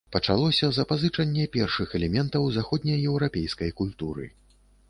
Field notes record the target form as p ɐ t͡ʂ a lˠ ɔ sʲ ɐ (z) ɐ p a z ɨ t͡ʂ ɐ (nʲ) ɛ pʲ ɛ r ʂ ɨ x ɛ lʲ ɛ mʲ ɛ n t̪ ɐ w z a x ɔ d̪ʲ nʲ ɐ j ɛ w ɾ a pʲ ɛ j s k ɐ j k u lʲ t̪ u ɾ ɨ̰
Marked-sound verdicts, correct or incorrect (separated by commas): correct, incorrect